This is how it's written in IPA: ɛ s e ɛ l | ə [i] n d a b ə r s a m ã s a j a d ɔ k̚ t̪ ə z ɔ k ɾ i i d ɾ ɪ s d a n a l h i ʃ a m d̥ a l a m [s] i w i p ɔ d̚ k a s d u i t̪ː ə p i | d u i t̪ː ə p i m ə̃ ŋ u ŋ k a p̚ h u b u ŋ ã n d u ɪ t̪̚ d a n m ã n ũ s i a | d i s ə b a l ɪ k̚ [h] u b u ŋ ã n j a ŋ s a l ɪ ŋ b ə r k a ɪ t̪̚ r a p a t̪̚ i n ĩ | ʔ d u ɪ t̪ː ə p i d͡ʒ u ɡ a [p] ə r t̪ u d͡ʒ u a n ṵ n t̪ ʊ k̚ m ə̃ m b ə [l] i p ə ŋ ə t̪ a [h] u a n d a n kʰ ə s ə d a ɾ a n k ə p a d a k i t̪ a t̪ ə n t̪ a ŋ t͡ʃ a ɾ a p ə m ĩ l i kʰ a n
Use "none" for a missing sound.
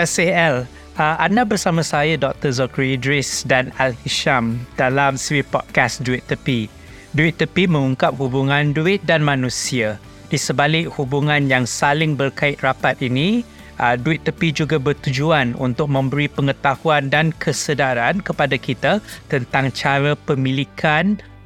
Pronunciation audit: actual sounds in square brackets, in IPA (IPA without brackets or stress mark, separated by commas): a, s, h, b, ɾ, h